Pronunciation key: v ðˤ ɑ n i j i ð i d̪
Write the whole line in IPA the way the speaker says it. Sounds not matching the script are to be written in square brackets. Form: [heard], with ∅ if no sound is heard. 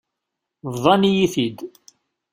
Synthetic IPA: v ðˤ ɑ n i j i [θ] i d̪